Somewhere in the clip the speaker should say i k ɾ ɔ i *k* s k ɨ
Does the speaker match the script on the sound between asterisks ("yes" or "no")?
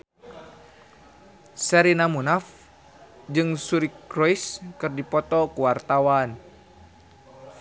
no